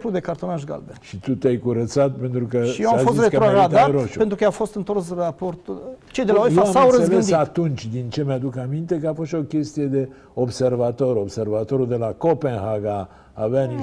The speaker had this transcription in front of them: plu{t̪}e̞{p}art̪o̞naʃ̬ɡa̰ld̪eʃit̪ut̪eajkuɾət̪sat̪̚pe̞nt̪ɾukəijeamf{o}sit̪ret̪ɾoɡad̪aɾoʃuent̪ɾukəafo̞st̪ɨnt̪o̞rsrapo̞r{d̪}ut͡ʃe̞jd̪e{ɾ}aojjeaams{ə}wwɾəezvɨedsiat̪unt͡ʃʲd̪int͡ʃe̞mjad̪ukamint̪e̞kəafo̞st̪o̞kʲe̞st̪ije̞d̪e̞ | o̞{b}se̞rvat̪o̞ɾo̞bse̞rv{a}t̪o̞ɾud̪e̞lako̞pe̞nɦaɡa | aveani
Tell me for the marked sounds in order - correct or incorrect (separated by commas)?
incorrect, incorrect, correct, incorrect, incorrect, incorrect, correct, correct